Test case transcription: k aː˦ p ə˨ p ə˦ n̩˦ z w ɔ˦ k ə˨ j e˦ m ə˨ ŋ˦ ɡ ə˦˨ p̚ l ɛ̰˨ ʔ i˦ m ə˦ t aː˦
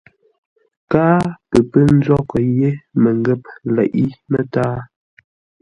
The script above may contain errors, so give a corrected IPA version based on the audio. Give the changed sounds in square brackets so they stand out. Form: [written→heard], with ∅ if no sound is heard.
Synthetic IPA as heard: k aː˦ p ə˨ p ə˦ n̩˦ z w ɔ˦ k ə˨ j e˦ m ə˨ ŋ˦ ɡ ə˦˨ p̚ l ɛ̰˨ ʔ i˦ m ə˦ t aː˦